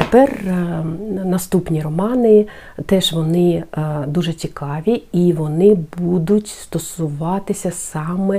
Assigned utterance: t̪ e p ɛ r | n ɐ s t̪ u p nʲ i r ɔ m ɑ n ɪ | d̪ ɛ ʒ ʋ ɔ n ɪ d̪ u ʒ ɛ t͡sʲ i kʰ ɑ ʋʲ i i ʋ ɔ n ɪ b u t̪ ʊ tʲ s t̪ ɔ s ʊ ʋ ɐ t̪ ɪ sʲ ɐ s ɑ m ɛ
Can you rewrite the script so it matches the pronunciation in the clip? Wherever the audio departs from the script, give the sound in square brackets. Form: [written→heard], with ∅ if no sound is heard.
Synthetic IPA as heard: t̪ e p ɛ r | n ɐ s t̪ u p nʲ i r ɔ m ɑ n ɪ | [d̪→t̪] ɛ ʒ ʋ ɔ n ɪ d̪ u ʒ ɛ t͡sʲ i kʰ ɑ ʋʲ i i ʋ ɔ n ɪ b u [t̪→d̪] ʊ tʲ s t̪ ɔ s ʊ ʋ [ɐ→ɑ] t̪ ɪ sʲ ɐ s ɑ m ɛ